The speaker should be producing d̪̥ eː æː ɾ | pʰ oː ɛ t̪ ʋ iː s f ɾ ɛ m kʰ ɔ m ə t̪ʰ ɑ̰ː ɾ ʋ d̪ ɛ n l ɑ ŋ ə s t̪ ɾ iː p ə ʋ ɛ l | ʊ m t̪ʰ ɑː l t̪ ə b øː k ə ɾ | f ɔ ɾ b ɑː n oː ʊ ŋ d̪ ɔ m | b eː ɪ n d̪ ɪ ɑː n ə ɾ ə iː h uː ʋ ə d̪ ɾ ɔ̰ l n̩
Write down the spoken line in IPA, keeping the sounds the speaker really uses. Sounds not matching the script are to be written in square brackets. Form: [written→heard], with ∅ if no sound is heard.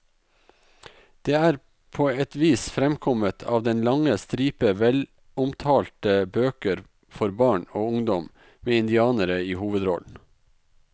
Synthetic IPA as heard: d̪̥ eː æː ɾ | pʰ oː ɛ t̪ ʋ iː s f ɾ ɛ m kʰ ɔ m ə t̪ʰ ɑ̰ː [ɾ→∅] ʋ d̪ ɛ n l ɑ ŋ ə s t̪ ɾ iː p ə ʋ ɛ l | ʊ m t̪ʰ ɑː l t̪ ə b øː k ə ɾ | f ɔ ɾ b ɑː [n→ɳ] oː ʊ ŋ d̪ ɔ m | [b→m] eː ɪ n d̪ ɪ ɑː n ə ɾ ə iː h uː ʋ ə d̪ ɾ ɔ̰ l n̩